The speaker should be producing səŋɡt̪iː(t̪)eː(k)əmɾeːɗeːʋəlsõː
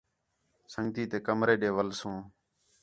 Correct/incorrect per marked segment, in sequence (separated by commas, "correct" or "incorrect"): correct, correct